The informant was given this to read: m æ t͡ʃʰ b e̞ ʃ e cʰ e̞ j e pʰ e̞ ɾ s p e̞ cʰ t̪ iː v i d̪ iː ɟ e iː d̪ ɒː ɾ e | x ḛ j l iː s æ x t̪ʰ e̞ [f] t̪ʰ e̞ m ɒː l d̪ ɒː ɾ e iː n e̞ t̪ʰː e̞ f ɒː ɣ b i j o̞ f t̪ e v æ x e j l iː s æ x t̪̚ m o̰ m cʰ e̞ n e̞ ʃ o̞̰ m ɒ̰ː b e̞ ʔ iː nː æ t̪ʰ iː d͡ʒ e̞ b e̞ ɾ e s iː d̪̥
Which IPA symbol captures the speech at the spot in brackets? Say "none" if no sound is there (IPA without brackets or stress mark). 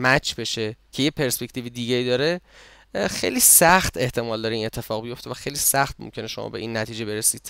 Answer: h